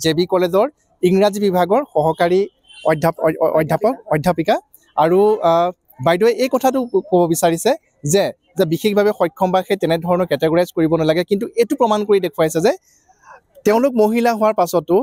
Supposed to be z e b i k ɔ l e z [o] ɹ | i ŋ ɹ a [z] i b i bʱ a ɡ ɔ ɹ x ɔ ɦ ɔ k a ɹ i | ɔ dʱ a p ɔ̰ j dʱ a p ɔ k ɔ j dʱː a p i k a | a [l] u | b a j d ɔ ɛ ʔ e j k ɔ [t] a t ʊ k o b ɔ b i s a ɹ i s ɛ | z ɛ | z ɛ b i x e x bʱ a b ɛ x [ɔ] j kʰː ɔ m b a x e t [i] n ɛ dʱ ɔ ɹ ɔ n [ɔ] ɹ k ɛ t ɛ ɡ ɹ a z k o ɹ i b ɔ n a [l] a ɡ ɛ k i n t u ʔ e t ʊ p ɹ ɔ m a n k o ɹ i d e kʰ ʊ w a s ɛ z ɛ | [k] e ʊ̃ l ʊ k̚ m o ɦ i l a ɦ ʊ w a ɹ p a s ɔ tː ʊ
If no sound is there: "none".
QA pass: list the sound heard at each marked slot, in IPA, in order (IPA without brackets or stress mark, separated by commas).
ɔ, z, ɹ, tʰ, ɔ, ɛ, ɔ, l, t